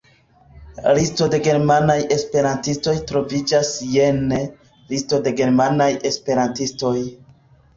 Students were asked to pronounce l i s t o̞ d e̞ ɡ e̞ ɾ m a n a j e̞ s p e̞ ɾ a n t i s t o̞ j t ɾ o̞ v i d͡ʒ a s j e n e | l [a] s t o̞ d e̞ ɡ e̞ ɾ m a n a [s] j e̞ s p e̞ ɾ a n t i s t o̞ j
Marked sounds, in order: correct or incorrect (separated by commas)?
incorrect, incorrect